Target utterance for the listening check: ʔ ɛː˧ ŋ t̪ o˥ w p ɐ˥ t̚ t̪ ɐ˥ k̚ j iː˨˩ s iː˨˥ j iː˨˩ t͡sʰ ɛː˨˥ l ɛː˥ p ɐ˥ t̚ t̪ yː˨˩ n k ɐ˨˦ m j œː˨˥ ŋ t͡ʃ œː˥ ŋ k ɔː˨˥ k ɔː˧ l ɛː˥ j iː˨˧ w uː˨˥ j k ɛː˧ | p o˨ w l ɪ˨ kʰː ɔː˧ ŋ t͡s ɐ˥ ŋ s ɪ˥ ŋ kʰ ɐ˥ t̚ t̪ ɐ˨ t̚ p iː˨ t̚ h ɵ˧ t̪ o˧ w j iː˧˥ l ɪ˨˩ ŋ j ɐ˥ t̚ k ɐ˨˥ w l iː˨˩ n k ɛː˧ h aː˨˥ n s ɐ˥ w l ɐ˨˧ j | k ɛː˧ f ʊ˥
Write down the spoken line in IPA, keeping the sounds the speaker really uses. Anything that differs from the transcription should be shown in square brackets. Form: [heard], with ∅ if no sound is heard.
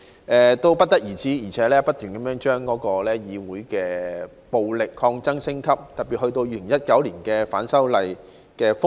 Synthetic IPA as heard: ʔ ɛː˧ [∅] t̪ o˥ w p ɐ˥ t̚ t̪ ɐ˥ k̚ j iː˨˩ [t͡s] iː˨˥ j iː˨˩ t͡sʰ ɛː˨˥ l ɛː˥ p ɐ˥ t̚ t̪ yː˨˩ n k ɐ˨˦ m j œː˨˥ ŋ t͡ʃ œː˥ ŋ k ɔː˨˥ k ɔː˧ l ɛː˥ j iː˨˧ w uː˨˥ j k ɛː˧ | p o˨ w l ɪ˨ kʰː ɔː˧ ŋ t͡s ɐ˥ ŋ s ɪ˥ ŋ kʰ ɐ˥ [p̚] t̪ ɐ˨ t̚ p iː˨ t̚ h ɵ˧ t̪ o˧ w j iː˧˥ l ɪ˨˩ ŋ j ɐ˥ t̚ k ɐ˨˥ w l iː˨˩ n k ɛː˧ [f] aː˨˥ n s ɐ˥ w l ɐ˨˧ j | k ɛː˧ f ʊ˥